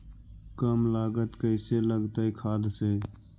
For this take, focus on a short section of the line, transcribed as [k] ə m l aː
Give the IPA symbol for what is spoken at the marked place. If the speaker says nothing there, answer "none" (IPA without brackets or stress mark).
k